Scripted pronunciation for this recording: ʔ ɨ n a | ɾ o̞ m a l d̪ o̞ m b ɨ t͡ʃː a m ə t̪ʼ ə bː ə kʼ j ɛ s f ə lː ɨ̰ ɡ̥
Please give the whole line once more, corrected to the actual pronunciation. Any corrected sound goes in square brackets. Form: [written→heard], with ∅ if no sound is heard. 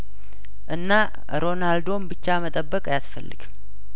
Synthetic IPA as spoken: ʔ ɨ [n→nː] a | ɾ o̞ [m→n] a l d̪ o̞ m b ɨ t͡ʃː a m ə t̪ʼ ə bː ə kʼ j [ɛ→a] s f ə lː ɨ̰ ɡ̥